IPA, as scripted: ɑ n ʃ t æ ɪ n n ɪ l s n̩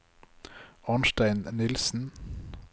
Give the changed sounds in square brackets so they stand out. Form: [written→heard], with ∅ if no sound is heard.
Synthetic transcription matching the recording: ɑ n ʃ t æ ɪ n n ɪ l s n̩